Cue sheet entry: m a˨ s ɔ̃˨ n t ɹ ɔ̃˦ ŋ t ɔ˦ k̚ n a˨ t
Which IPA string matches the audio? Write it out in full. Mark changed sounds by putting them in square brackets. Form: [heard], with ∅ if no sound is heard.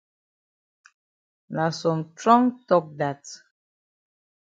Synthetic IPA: [n] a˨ s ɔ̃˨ [m] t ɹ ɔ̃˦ ŋ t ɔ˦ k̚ [d] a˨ t